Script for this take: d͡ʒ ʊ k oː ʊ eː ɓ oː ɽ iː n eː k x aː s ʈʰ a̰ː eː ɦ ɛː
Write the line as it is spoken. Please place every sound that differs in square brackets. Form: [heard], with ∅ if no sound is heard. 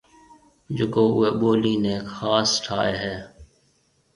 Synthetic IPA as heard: d͡ʒ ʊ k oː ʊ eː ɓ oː [l] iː n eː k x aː s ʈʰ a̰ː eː ɦ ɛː

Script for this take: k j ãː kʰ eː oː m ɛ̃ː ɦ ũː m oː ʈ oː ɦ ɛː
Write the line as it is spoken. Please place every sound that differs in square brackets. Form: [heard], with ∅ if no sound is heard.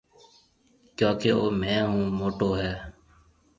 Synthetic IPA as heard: k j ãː [k] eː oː m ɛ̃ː ɦ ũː m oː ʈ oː ɦ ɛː

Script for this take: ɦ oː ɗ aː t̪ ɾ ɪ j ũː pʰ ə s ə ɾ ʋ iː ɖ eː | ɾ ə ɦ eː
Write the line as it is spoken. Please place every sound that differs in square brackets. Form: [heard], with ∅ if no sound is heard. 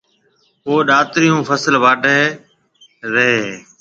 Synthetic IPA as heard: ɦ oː ɗ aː t̪ ɾ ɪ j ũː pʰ ə s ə [l] ʋ [aː] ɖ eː | ɾ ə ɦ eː

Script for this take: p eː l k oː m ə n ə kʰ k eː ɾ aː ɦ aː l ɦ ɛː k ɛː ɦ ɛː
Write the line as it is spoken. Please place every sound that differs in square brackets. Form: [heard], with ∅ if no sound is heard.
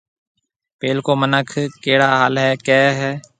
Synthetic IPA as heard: p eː l k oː m ə n ə kʰ k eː [ɽ] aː ɦ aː l ɦ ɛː k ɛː ɦ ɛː

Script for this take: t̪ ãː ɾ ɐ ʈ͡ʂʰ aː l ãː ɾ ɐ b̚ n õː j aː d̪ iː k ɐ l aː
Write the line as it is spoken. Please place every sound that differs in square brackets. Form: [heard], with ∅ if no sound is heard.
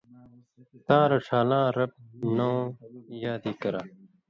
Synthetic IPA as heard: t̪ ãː ɾ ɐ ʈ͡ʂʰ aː l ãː ɾ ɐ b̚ n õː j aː d̪ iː k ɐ [ɾ] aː

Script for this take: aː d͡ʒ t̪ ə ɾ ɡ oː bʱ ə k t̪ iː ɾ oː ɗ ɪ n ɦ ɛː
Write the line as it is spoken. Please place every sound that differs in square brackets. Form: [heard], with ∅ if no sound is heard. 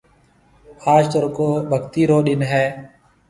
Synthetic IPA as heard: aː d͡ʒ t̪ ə ɾ [k] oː bʱ ə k t̪ iː ɾ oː ɗ ɪ n ɦ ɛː

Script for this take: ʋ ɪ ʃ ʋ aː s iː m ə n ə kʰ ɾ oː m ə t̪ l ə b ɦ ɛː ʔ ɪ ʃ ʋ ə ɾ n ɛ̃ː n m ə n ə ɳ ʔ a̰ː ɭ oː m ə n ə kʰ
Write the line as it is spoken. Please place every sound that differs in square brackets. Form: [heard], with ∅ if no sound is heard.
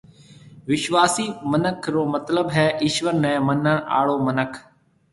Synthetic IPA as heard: ʋ ɪ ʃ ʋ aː s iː m ə n ə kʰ ɾ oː m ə t̪ l ə b ɦ ɛː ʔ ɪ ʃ ʋ ə ɾ n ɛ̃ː [∅] m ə n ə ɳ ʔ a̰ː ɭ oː m ə n ə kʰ

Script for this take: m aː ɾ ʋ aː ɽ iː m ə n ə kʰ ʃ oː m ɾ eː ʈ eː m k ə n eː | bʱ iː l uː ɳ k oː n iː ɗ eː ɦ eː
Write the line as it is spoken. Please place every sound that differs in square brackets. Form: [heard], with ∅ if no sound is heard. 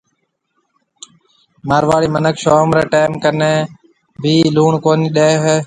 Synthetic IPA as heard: m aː ɾ ʋ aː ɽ iː m ə n ə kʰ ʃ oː m ɾ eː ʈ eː m k ə n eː | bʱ iː l uː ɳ k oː n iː ɗ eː ɦ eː

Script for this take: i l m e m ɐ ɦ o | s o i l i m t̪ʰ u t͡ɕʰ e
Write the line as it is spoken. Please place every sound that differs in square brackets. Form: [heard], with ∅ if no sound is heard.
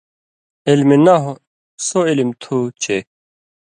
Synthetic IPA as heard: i l m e [n] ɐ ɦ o | s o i l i m t̪ʰ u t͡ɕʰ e

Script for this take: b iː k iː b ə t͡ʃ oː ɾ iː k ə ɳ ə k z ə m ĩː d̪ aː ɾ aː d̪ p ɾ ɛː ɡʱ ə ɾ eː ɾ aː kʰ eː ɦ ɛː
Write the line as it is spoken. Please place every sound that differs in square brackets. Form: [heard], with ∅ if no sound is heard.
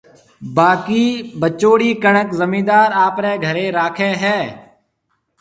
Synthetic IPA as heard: b [aː] k iː b ə t͡ʃ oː [ɽ] iː k ə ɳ ə k z ə m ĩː d̪ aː ɾ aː [∅] p ɾ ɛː ɡʱ ə ɾ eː ɾ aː kʰ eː ɦ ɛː

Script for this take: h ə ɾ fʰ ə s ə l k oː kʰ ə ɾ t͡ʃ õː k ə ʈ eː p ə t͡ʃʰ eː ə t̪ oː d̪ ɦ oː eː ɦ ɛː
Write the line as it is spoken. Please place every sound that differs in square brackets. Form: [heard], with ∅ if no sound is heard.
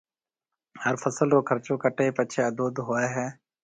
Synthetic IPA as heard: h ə ɾ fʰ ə s ə l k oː kʰ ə ɾ t͡ʃ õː k ə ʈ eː p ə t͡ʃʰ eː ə [d̪] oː d̪ ɦ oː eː ɦ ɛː

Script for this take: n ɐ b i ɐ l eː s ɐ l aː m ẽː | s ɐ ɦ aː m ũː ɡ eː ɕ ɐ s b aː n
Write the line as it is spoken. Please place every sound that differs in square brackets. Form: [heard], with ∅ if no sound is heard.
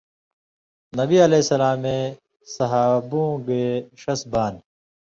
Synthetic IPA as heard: n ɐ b i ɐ l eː s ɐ l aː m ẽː | s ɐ ɦ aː [b] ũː ɡ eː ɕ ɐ s b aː n

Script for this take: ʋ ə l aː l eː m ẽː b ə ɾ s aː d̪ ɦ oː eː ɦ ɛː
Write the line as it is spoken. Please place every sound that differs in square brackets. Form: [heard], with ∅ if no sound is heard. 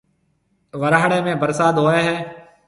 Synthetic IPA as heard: ʋ ə [ɾ] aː [ɽ] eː m ẽː b ə ɾ s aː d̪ ɦ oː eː ɦ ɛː

